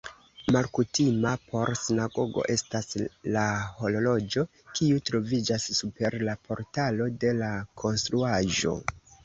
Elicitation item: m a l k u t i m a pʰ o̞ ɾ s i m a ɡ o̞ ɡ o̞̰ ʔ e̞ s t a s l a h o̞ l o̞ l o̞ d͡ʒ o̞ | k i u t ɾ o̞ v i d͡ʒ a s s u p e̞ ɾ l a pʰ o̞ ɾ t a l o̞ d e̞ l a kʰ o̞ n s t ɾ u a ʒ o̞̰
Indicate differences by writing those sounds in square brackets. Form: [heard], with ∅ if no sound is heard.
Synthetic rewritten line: m a l k u t i m a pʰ o̞ ɾ s i [n] a ɡ o̞ ɡ o̞̰ ʔ e̞ s t a s l a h o̞ l o̞ l o̞ d͡ʒ o̞ | k i u t ɾ o̞ v i d͡ʒ a s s u p e̞ ɾ l a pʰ o̞ ɾ t a l o̞ d e̞ l a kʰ o̞ n s t ɾ u a ʒ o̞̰